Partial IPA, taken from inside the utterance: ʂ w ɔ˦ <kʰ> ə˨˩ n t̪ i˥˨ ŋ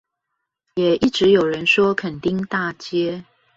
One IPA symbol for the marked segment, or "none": kʰ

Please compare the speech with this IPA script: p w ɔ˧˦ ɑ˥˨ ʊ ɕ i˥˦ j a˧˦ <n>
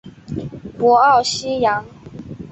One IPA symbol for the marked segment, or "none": ŋ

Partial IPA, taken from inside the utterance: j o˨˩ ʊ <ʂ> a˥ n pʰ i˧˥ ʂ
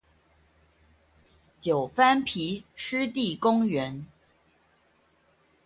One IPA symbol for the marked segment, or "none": f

